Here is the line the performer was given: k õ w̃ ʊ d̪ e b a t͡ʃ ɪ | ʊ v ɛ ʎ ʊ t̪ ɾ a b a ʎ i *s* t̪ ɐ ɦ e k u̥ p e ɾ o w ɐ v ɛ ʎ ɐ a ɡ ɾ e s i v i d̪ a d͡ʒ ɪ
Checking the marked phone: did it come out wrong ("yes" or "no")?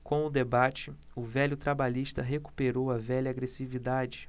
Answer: yes